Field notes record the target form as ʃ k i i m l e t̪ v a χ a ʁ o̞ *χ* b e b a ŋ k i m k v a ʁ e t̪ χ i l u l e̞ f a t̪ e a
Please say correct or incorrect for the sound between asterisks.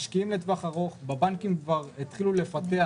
correct